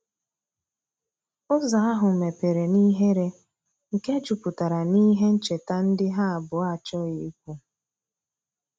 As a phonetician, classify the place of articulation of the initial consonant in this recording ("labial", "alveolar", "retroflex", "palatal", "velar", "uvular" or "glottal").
alveolar